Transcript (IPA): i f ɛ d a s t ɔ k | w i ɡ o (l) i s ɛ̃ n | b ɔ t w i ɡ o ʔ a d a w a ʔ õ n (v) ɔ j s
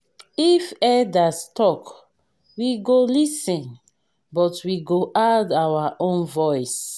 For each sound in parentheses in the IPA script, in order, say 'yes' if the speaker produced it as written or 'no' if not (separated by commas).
yes, yes